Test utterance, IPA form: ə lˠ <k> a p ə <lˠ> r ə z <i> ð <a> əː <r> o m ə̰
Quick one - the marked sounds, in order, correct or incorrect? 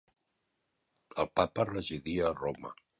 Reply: incorrect, incorrect, correct, incorrect, correct

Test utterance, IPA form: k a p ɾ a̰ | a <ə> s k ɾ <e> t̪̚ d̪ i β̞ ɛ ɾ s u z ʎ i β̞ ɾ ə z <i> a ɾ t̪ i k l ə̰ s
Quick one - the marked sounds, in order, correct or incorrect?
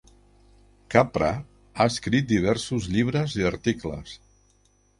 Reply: correct, incorrect, correct

